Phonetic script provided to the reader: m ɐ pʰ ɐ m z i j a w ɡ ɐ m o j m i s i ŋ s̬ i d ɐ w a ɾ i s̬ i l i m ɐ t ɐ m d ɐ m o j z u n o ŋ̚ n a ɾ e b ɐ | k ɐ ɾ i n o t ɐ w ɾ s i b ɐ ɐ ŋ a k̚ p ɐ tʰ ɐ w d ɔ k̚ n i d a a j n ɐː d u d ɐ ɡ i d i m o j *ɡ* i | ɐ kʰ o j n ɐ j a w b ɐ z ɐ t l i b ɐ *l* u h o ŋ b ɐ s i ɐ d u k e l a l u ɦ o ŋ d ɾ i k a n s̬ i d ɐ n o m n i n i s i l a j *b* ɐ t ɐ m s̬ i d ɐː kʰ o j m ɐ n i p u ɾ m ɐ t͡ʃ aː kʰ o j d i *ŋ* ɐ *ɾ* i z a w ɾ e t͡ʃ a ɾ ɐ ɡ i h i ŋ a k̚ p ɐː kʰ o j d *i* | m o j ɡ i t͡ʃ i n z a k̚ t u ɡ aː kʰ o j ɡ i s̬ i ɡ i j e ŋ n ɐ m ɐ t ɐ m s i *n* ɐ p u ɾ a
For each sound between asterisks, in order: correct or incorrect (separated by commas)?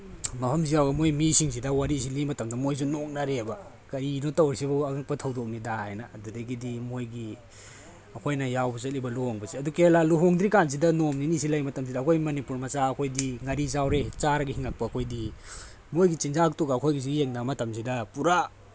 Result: correct, correct, incorrect, correct, correct, correct, incorrect